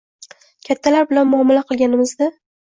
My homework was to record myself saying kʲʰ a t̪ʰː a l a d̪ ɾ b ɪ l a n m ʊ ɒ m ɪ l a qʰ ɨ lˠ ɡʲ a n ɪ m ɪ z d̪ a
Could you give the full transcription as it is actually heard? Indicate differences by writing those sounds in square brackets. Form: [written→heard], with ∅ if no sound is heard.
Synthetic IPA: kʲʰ a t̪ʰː a l a [d̪→∅] ɾ b ɪ l a n m ʊ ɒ m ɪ l a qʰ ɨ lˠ ɡʲ a n ɪ m ɪ z d̪ a